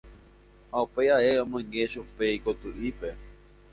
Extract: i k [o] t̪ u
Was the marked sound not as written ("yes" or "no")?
no